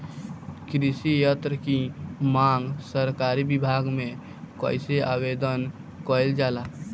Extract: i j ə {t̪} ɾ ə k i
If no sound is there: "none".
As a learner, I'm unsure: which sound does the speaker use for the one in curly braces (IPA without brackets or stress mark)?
t̪